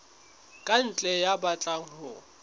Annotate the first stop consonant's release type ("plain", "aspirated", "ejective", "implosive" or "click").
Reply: ejective